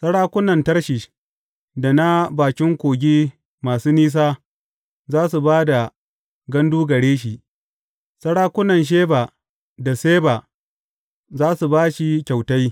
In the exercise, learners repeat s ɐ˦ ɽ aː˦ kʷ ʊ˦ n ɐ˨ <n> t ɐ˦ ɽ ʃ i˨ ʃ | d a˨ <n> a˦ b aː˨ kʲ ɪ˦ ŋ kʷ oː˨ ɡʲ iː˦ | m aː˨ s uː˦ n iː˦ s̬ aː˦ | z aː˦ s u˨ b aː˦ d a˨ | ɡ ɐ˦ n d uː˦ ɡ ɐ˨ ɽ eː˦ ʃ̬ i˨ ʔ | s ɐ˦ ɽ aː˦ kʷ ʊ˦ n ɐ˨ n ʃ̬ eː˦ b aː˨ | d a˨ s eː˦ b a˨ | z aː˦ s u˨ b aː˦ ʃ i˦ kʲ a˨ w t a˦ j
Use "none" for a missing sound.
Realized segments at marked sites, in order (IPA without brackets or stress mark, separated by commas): n, n